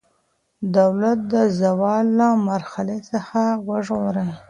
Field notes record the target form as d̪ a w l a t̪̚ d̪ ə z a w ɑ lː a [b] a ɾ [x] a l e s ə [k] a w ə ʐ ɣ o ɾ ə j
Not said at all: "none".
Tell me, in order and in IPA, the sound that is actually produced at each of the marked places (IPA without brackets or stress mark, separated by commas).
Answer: m, x, x